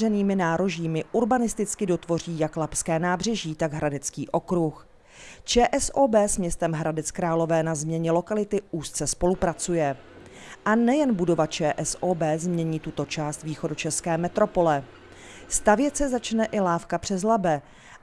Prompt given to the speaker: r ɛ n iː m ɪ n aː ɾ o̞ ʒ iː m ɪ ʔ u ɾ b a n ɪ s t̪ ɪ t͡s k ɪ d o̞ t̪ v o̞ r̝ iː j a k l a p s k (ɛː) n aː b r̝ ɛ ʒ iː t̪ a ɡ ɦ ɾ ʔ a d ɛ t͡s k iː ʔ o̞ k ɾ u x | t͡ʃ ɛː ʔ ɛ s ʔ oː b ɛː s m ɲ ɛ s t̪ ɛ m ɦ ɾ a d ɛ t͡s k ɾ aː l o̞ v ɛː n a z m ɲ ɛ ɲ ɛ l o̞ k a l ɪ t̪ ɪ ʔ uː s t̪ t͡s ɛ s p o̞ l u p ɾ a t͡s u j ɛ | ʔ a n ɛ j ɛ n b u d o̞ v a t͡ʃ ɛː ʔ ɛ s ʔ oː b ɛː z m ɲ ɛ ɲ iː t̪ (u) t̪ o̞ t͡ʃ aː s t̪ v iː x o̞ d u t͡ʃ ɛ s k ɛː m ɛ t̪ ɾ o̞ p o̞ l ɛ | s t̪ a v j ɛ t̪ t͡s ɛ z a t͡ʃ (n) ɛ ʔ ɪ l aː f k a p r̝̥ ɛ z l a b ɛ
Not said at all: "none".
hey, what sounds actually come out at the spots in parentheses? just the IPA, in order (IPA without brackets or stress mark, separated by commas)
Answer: ɛː, u, n